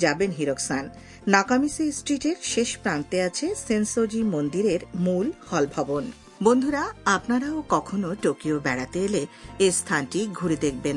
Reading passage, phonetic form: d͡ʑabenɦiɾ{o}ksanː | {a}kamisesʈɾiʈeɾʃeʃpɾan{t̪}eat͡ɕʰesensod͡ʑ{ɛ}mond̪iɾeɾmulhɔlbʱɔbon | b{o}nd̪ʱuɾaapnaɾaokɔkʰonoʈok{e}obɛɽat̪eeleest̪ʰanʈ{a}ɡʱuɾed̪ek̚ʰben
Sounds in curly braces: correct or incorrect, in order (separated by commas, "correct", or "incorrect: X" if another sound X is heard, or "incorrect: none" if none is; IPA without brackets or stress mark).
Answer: correct, correct, correct, incorrect: i, correct, incorrect: i, incorrect: i